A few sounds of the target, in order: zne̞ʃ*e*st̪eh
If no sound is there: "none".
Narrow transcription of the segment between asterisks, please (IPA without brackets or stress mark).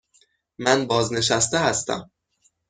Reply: æ